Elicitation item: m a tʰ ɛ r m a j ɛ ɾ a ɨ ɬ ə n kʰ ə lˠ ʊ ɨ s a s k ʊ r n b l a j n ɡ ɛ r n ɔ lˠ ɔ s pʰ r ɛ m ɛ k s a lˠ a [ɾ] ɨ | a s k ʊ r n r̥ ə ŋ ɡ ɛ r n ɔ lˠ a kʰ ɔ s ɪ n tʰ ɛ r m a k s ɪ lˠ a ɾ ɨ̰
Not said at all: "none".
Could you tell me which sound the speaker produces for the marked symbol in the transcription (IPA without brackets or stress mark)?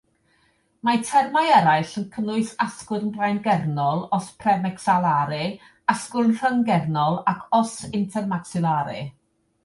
ɾ